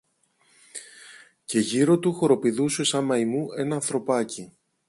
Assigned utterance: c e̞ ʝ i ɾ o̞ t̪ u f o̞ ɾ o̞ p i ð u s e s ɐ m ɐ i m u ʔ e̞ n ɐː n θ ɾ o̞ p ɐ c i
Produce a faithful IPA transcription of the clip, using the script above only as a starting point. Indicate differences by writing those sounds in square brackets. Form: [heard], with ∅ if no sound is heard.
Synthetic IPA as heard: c e̞ ʝ i ɾ o̞ t̪ u [x] o̞ ɾ o̞ p i ð u s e s ɐ m ɐ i m u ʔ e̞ n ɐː n θ ɾ o̞ p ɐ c i